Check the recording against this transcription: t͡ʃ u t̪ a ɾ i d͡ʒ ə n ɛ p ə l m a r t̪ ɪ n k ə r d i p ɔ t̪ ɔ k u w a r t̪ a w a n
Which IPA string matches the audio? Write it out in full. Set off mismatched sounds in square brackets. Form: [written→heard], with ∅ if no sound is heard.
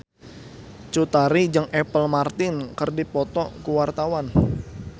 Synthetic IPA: t͡ʃ u t̪ a ɾ i d͡ʒ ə [n→ŋ] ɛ p ə l m a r t̪ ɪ n k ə r d i p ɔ t̪ ɔ k u w a r t̪ a w a n